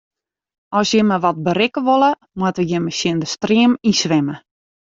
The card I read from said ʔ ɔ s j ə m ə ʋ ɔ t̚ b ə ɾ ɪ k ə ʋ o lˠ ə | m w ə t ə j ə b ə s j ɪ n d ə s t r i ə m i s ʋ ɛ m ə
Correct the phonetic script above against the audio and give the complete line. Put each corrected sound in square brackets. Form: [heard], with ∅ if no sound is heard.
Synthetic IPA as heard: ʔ ɔ s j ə m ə ʋ ɔ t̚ b ə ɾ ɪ k ə ʋ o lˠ ə | m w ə t ə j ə [m] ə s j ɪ n d ə s t r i ə m i s ʋ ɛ m ə